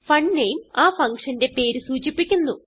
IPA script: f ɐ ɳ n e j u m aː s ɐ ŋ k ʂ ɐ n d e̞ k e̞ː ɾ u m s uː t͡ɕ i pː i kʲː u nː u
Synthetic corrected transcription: f ɐ ɳ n e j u m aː f ɐ ŋ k ʂ ɐ n d e̞ p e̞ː ɾ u s uː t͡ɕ i pː i kʲː u nː u

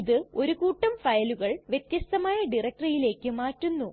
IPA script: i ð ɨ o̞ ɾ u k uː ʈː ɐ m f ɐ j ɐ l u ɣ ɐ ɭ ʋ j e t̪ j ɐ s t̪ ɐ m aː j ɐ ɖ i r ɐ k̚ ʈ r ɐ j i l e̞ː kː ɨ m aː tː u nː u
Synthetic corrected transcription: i ð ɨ o̞ ɾ u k uː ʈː ɐ m f ɐ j ɐ l u ɣ ɐ ɭ ʋ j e t̪ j ɐ s t̪ ɐ m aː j ɐ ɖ i r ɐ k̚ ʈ r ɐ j i l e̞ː kː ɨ m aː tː u nː u

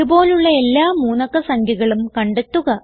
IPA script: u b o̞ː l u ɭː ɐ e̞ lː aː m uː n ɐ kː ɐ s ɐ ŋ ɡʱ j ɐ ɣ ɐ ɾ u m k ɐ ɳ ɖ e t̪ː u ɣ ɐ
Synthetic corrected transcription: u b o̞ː l u ɭː ɐ e̞ lː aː m uː n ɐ kː ɐ s ɐ ŋ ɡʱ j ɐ ɣ ɐ ɭ u m k ɐ ɳ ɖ e t̪ː u ɣ ɐ

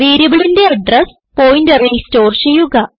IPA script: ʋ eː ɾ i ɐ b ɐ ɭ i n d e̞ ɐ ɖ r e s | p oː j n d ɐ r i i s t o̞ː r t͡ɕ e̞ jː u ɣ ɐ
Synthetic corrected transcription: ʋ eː ɾ j ɐ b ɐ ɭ i n d e̞ ɐ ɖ r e s | p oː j n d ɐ r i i s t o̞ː r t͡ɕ e̞ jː u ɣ ɐ

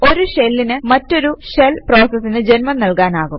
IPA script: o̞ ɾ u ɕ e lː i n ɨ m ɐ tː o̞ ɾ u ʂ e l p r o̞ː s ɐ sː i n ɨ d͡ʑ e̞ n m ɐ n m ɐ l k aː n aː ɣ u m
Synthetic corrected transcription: o̞ ɾ u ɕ e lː i n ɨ m ɐ tː o̞ ɾ u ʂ e l p r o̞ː s ɐ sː i n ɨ d͡ʑ e̞ n m ɐ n n ɐ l k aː n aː ɣ u m

